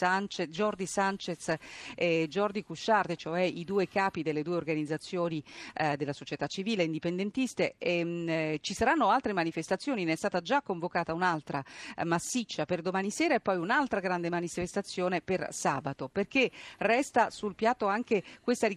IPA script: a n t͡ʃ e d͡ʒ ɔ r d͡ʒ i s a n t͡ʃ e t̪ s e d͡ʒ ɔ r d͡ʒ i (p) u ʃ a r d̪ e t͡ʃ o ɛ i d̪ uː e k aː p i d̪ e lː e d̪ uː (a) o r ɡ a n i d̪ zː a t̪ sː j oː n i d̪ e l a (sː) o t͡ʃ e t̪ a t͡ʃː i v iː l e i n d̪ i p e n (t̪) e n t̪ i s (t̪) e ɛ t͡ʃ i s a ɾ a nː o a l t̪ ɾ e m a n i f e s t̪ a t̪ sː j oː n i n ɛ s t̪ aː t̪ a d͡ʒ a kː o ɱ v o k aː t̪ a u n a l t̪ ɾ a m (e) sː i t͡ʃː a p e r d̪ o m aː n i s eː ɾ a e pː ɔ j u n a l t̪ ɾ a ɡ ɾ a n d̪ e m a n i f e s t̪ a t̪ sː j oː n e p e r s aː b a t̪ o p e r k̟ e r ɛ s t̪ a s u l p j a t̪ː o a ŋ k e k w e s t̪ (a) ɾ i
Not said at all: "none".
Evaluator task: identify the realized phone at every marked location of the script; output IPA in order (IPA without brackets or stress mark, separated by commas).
k, e, s, d̪, t̪, a, a